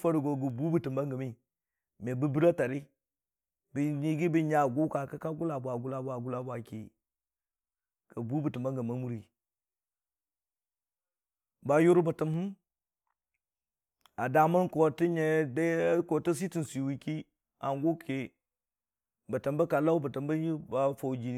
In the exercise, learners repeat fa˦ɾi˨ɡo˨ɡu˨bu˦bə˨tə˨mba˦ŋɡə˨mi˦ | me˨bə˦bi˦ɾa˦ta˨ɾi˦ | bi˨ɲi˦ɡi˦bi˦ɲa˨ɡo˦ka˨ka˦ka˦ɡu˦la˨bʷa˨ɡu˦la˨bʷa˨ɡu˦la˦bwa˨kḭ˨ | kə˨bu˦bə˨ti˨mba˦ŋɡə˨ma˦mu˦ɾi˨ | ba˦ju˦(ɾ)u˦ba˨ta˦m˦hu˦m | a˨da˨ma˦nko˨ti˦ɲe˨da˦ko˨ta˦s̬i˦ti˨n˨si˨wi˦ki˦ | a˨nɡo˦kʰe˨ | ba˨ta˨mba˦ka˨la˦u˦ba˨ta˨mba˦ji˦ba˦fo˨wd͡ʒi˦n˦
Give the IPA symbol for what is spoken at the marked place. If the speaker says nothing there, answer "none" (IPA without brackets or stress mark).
ɾ